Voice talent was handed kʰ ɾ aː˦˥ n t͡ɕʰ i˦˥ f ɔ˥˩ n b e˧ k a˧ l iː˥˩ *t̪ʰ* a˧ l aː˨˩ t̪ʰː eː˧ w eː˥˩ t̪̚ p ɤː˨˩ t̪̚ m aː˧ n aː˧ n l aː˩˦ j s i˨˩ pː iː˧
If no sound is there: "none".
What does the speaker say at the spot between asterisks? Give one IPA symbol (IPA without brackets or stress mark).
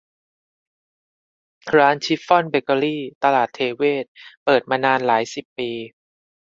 t̪